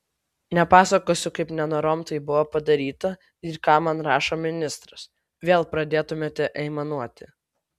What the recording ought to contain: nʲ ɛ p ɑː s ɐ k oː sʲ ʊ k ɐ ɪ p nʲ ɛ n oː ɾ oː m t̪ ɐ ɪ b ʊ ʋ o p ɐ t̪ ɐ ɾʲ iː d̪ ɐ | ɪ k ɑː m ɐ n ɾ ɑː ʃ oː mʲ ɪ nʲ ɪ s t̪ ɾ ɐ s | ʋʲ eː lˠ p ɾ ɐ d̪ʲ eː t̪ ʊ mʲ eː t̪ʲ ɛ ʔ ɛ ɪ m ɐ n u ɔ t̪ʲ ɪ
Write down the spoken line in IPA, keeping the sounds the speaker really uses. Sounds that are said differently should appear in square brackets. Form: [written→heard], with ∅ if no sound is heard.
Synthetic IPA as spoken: nʲ ɛ p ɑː s ɐ k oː sʲ ʊ k ɐ ɪ p nʲ ɛ n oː ɾ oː m t̪ ɐ ɪ b ʊ ʋ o p ɐ [t̪→d̪] ɐ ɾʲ iː [d̪→t̪] ɐ | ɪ k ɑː m ɐ n ɾ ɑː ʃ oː mʲ ɪ nʲ ɪ s t̪ ɾ ɐ s | ʋʲ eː lˠ p ɾ ɐ d̪ʲ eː t̪ ʊ mʲ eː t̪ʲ ɛ ʔ ɛ ɪ m ɐ n u ɔ t̪ʲ ɪ

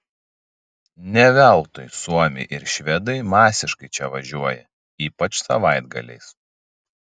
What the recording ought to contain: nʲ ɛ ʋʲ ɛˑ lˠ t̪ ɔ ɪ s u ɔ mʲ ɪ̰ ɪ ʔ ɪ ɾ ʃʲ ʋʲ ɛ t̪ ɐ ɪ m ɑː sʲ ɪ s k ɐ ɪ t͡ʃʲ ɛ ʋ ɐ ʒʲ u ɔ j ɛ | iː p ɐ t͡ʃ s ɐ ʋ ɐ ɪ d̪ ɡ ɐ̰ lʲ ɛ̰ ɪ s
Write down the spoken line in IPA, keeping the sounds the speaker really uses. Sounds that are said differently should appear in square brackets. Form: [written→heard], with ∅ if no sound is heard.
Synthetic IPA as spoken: nʲ ɛ ʋʲ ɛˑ lˠ t̪ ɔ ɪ s u ɔ mʲ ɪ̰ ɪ ʔ ɪ ɾ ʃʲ ʋʲ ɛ [t̪→d̪] ɐ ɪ m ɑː sʲ ɪ [s→ʃ] k ɐ ɪ t͡ʃʲ ɛ ʋ ɐ ʒʲ u ɔ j ɛ | iː p ɐ t͡ʃ s ɐ ʋ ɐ ɪ d̪ ɡ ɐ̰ lʲ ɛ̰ ɪ s

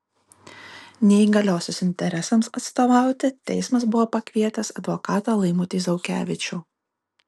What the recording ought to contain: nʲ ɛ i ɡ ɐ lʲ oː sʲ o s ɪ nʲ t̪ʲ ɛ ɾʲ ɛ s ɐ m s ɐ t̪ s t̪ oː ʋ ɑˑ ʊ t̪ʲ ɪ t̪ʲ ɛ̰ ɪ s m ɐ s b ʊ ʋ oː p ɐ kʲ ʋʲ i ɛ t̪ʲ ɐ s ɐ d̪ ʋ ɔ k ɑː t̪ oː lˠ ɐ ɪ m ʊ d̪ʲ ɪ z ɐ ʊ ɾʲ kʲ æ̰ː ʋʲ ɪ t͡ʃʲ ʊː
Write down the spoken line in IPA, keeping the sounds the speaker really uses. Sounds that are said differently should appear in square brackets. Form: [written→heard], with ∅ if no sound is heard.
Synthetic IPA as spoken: nʲ ɛ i ɡ ɐ lʲ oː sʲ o s ɪ nʲ t̪ʲ ɛ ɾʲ ɛ s ɐ m s ɐ t̪ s t̪ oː ʋ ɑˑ ʊ t̪ʲ ɪ t̪ʲ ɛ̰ ɪ s m ɐ s b ʊ ʋ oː p ɐ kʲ ʋʲ i ɛ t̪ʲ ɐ s ɐ d̪ ʋ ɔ k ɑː t̪ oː lˠ ɐ ɪ m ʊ [d̪ʲ→t̪ʲ] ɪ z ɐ ʊ [ɾʲ→∅] kʲ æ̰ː ʋʲ ɪ t͡ʃʲ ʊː

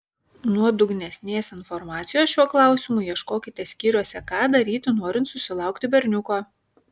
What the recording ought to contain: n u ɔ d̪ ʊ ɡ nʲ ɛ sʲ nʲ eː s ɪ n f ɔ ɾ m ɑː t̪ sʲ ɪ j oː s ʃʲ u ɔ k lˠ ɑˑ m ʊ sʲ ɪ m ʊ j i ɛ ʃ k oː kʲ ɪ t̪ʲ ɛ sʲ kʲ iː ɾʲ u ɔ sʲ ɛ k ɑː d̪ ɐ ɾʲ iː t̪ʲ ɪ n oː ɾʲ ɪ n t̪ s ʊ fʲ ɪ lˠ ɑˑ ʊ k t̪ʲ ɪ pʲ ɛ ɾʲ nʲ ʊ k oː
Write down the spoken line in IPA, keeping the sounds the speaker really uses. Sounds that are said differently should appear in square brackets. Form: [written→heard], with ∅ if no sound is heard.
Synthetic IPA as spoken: n u ɔ d̪ ʊ ɡ nʲ ɛ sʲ nʲ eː s ɪ n f ɔ ɾ m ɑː t̪ sʲ ɪ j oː s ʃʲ u ɔ k lˠ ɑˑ [m→∅] ʊ sʲ ɪ m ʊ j i ɛ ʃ k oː kʲ ɪ t̪ʲ ɛ sʲ kʲ iː ɾʲ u ɔ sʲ ɛ k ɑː d̪ ɐ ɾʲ iː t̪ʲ ɪ n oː ɾʲ ɪ n t̪ s ʊ [fʲ→sʲ] ɪ lˠ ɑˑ ʊ k t̪ʲ ɪ [pʲ→bʲ] ɛ ɾʲ nʲ ʊ k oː

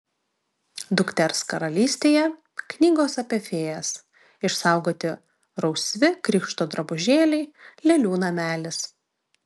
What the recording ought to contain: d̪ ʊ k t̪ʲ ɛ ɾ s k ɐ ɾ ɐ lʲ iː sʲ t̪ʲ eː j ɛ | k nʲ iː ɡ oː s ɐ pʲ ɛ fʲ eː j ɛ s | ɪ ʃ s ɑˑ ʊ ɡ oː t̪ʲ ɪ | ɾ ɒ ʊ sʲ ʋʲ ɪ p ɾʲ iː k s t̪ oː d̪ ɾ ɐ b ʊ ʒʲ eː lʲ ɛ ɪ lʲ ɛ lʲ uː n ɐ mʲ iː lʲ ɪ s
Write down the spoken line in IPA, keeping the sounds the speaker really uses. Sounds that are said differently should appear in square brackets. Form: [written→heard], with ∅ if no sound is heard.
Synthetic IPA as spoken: d̪ ʊ k t̪ʲ ɛ ɾ s k ɐ ɾ ɐ lʲ iː sʲ t̪ʲ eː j ɛ | k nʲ iː ɡ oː s ɐ pʲ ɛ fʲ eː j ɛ s | ɪ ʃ s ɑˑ ʊ ɡ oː t̪ʲ ɪ | ɾ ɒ ʊ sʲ ʋʲ ɪ [p→k] ɾʲ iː k [s→ʃ] t̪ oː d̪ ɾ ɐ b ʊ ʒʲ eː lʲ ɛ ɪ lʲ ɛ lʲ uː n ɐ mʲ [iː→æː] lʲ ɪ s

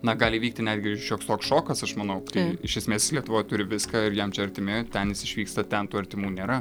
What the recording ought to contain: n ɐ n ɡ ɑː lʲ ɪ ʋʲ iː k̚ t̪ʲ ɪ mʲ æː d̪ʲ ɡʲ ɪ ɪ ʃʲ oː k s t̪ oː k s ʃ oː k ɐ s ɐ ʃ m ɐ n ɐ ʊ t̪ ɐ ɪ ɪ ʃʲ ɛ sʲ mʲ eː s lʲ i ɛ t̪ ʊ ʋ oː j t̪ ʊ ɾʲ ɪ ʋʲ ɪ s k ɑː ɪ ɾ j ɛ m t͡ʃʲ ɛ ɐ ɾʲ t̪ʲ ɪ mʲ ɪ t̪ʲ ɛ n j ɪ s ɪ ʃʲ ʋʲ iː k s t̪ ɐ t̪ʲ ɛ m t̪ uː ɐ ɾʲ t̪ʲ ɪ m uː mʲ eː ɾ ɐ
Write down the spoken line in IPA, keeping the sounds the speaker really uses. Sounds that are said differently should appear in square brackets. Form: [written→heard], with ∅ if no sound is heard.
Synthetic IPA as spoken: n ɐ [n→∅] ɡ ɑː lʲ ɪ ʋʲ iː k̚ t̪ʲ ɪ [mʲ→nʲ] æː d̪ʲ ɡʲ ɪ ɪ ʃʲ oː k s t̪ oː k s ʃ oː k ɐ s ɐ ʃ m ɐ n ɐ ʊ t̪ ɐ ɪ ɪ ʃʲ ɛ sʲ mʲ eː s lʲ i ɛ t̪ ʊ ʋ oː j t̪ ʊ ɾʲ ɪ ʋʲ ɪ s k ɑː ɪ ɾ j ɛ m t͡ʃʲ ɛ ɐ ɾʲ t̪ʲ ɪ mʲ ɪ t̪ʲ ɛ n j ɪ s ɪ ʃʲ ʋʲ iː k s t̪ ɐ t̪ʲ ɛ [m→n] t̪ uː ɐ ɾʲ t̪ʲ ɪ m uː [mʲ→nʲ] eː ɾ ɐ

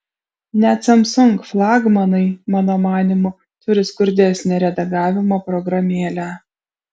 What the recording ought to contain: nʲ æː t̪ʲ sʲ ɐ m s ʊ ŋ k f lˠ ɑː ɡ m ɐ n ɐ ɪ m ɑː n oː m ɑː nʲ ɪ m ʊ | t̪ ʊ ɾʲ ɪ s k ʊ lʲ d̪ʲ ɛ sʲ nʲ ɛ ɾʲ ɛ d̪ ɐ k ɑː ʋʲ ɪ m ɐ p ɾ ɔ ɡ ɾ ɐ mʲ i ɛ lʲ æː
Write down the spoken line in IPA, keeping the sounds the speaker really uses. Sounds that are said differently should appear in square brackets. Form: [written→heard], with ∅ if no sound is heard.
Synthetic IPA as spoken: nʲ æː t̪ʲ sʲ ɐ m s ʊ ŋ k f lˠ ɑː ɡ m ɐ n ɐ ɪ m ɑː n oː m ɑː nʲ ɪ m ʊ | t̪ ʊ ɾʲ ɪ s k ʊ [lʲ→ɾʲ] d̪ʲ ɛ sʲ nʲ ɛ ɾʲ ɛ d̪ ɐ [k→ɡ] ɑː ʋʲ ɪ m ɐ p ɾ ɔ ɡ ɾ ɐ mʲ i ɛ lʲ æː

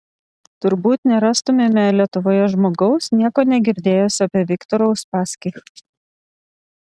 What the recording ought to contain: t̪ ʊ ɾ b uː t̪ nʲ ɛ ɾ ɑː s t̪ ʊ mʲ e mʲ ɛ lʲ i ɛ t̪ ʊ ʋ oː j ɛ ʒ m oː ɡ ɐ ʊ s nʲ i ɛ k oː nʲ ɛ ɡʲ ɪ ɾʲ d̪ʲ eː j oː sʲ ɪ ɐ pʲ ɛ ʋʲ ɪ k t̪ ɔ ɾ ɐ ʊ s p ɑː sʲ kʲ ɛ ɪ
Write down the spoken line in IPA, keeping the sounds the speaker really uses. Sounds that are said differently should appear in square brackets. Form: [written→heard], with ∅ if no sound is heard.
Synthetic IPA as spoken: t̪ ʊ ɾ b uː t̪ nʲ ɛ ɾ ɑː s t̪ ʊ mʲ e mʲ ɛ lʲ i ɛ t̪ ʊ ʋ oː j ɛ ʒ m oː ɡ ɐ ʊ s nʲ i ɛ k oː nʲ ɛ ɡʲ ɪ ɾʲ d̪ʲ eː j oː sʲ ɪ ɐ pʲ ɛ ʋʲ ɪ k t̪ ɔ ɾ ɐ ʊ s p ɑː sʲ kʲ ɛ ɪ

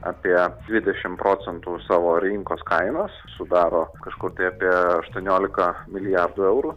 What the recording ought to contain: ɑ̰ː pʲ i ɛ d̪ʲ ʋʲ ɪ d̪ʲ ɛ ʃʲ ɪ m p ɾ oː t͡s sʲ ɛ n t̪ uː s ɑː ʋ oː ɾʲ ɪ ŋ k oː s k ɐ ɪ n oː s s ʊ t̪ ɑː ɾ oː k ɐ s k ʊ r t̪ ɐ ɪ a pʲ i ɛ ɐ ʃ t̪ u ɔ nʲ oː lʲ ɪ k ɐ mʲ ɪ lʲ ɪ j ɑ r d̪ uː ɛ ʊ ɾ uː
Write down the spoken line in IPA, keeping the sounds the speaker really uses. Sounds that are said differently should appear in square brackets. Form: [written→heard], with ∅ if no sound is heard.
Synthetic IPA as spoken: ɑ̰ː pʲ i ɛ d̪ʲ ʋʲ ɪ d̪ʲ ɛ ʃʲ ɪ m p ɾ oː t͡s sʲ ɛ n t̪ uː s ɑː ʋ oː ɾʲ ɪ ŋ k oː s k ɐ ɪ n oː s s ʊ [t̪→d̪] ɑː ɾ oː k ɐ [s→ʃ] k ʊ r t̪ ɐ ɪ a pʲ i ɛ ɐ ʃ t̪ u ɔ nʲ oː lʲ ɪ k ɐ mʲ ɪ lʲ ɪ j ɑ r d̪ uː ɛ ʊ ɾ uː

